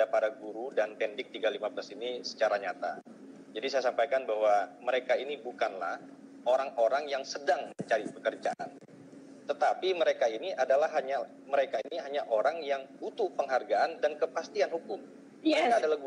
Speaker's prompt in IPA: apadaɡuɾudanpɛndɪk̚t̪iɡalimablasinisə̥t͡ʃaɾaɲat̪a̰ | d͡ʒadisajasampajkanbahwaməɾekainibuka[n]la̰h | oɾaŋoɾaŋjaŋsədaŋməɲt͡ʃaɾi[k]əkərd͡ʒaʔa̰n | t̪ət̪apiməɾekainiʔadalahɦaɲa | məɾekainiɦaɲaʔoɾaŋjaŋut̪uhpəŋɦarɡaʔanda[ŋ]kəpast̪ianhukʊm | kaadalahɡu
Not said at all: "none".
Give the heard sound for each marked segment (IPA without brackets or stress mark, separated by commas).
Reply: n, p, n